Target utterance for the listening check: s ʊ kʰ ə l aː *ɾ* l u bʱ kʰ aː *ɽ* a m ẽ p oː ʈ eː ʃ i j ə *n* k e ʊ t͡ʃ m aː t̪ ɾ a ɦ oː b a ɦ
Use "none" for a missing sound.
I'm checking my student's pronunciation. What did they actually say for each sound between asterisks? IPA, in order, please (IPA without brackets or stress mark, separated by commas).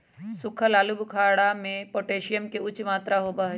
none, ɽ, m